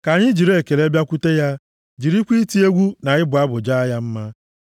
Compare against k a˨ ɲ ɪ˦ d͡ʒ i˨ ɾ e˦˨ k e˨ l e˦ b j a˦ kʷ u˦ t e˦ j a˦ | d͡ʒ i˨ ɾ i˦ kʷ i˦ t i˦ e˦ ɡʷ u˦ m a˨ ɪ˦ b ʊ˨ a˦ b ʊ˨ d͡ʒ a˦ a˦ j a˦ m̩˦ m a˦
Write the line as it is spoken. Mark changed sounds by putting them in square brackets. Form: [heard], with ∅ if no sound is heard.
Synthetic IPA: k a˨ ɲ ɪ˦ d͡ʒ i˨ ɾ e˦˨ k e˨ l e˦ b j a˦ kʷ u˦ t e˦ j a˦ | d͡ʒ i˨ ɾ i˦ kʷ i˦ t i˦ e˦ ɡʷ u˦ [n] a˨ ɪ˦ b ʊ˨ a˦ b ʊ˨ d͡ʒ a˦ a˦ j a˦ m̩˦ m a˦

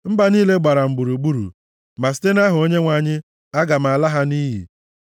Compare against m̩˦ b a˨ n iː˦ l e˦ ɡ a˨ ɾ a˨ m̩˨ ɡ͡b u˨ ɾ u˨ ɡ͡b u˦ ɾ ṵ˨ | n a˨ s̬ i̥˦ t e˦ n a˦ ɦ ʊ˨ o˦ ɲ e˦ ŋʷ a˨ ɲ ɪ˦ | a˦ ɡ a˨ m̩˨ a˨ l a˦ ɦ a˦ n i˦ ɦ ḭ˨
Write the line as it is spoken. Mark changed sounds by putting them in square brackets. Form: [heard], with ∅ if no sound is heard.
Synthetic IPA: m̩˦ b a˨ n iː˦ l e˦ [ɡ͡b] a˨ ɾ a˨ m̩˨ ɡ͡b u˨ ɾ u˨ ɡ͡b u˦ ɾ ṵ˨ | [m] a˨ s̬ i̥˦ t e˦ n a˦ ɦ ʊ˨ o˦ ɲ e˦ ŋʷ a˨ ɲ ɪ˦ | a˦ ɡ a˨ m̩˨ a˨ l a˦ ɦ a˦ n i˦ ɦ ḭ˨

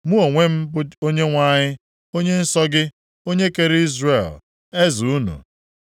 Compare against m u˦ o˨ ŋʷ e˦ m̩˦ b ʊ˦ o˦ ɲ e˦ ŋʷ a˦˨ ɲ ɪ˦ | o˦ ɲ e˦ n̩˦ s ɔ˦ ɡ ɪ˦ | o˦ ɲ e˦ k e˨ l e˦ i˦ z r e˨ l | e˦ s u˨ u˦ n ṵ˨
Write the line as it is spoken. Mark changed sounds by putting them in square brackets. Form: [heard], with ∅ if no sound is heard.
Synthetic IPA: m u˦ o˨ ŋʷ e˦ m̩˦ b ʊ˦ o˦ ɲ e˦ ŋʷ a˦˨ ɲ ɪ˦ | o˦ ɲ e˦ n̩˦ s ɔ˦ ɡ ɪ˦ | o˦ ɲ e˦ k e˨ [ɾ] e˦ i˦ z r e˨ l | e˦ [z] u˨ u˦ n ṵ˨

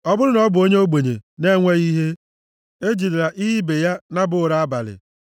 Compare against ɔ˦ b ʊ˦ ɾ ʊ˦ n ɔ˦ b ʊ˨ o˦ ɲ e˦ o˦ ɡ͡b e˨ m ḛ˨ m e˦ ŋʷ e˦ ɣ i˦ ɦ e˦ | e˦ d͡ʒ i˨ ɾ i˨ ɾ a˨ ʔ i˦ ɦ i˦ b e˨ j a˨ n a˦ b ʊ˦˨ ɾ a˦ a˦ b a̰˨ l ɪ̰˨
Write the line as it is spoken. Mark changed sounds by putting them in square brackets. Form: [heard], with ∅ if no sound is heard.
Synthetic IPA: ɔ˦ b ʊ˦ ɾ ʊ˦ n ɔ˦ b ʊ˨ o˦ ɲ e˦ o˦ ɡ͡b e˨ [ɲ] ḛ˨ [n] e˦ ŋʷ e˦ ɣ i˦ ɦ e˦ | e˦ d͡ʒ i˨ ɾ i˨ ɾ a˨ ʔ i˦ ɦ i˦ b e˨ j [a˦] n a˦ b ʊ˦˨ ɾ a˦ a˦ b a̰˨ l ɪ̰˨

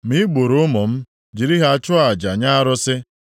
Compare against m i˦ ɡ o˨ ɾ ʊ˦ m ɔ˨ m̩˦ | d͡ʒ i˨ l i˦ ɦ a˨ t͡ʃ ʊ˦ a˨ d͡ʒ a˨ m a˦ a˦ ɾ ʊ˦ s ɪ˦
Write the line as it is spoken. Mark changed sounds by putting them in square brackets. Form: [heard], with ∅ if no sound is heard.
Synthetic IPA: m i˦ [ɡ͡b] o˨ ɾ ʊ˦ m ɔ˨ m̩˦ | d͡ʒ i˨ [ɾ] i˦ ɦ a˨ t͡ʃ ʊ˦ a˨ d͡ʒ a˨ [ɲ] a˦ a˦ ɾ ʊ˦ s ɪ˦

